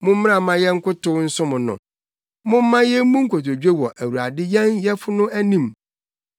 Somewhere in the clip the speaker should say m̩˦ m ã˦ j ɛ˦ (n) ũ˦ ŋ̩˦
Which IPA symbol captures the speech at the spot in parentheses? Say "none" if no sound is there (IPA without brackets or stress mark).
m